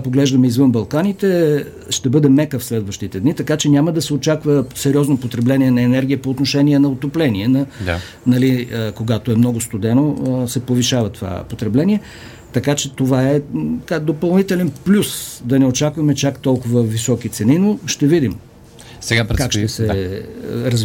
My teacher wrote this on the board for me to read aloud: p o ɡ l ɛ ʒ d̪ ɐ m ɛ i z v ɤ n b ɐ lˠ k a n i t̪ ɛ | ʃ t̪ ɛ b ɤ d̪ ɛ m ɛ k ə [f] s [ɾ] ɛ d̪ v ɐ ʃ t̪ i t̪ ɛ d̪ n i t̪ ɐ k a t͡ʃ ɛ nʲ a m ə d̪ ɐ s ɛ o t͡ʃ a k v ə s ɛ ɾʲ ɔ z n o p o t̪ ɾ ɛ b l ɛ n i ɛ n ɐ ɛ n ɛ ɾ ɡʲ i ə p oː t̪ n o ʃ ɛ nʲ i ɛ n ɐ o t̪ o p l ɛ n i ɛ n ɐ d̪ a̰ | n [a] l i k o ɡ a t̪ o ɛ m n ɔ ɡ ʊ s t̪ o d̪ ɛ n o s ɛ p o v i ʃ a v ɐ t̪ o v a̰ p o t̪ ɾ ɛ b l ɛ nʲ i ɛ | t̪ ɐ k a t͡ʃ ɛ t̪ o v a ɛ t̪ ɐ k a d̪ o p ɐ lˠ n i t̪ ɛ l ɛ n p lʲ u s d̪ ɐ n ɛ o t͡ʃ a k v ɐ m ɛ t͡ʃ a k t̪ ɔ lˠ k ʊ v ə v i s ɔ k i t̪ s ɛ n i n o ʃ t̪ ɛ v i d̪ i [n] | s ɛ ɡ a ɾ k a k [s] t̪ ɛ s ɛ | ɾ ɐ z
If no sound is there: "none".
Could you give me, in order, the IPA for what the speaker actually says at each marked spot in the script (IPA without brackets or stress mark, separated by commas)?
f, l, ɐ, m, ʃ